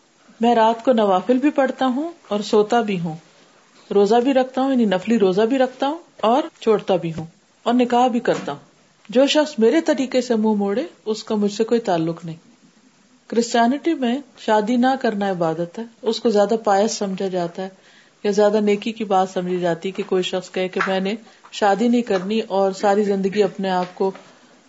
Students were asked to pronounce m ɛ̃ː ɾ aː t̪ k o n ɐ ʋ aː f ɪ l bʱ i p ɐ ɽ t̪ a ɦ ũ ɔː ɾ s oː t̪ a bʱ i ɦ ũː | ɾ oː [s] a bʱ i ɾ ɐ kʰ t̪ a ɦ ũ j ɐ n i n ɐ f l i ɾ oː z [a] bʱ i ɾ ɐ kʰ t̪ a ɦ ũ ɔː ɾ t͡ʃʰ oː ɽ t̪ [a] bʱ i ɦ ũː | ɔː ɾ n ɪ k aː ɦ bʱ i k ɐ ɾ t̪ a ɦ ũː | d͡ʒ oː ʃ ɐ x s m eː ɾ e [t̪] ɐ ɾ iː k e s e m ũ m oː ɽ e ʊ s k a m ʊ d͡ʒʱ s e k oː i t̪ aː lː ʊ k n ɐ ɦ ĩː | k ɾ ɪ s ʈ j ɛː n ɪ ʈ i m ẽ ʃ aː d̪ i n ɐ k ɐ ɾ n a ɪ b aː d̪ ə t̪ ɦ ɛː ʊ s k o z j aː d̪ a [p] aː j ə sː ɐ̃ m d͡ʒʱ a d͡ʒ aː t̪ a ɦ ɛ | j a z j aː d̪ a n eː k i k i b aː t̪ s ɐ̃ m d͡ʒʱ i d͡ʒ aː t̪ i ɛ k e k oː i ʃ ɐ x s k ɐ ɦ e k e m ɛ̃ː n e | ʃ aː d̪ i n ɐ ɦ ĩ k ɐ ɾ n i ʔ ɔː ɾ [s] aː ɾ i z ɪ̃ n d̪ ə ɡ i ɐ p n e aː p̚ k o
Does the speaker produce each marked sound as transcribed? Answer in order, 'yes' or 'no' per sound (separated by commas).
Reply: no, yes, yes, yes, yes, yes